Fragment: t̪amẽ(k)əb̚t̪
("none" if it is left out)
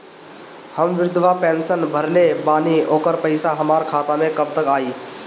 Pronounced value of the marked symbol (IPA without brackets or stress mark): k